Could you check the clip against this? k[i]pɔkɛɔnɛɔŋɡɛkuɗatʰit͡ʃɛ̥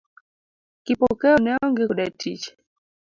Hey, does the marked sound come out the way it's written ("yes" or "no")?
yes